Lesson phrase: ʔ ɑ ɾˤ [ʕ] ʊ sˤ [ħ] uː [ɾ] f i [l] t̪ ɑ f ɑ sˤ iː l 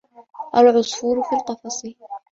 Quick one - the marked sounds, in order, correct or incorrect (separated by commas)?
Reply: correct, incorrect, correct, correct